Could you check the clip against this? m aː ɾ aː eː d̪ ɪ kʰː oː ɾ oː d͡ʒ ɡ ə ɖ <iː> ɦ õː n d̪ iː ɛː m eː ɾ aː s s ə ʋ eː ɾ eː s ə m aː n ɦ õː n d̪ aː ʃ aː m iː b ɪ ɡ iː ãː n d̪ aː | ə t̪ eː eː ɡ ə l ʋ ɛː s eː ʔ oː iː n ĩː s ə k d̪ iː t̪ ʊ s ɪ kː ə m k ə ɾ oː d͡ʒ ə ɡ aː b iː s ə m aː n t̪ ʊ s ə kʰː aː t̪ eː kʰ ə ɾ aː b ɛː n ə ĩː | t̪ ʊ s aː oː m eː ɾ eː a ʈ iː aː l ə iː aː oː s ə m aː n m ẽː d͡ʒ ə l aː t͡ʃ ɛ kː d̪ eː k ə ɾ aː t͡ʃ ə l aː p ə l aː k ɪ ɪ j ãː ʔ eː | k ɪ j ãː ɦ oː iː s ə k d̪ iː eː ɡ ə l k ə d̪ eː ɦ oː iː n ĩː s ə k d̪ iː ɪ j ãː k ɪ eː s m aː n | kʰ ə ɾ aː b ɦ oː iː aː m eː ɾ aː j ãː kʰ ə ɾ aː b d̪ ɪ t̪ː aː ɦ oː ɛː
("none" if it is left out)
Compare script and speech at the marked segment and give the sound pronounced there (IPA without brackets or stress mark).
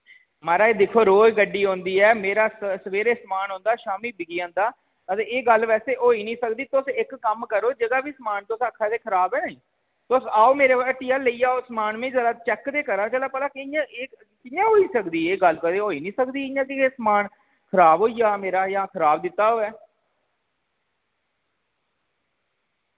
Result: iː